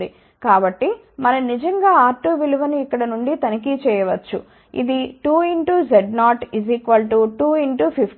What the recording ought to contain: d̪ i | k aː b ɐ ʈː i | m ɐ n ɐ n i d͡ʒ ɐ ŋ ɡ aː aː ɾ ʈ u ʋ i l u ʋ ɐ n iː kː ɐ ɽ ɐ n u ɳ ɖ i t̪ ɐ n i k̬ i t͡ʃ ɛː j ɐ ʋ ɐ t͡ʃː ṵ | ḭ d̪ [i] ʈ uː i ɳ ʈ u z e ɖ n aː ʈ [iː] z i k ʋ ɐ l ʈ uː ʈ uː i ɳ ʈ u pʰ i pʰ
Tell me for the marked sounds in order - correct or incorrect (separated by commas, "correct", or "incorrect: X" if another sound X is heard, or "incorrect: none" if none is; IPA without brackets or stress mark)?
correct, incorrect: i